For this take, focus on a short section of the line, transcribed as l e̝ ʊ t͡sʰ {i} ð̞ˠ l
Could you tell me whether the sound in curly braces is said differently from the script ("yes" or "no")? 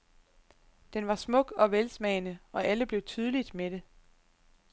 yes